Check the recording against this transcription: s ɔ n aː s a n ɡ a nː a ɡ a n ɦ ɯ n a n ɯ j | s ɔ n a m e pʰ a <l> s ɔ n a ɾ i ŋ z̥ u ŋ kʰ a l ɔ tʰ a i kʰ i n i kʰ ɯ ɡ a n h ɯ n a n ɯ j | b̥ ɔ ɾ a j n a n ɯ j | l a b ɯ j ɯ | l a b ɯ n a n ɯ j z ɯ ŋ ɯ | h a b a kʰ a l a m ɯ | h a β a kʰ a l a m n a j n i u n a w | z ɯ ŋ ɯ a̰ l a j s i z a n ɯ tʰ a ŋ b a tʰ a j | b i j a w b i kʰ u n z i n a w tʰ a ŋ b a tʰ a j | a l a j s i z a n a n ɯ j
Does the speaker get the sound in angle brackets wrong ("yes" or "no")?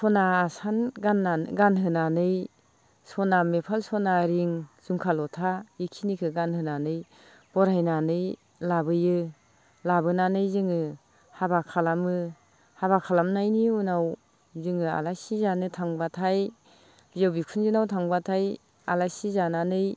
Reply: no